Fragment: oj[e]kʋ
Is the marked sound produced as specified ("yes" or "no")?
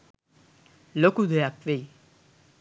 no